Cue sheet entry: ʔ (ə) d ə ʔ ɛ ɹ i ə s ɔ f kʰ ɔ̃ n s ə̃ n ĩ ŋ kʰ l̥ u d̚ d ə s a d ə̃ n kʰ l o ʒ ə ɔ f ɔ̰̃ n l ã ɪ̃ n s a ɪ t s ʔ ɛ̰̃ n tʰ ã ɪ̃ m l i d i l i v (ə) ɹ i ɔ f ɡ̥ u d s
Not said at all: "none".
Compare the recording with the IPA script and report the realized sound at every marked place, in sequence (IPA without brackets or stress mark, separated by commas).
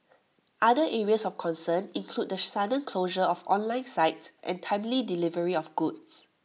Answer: a, ə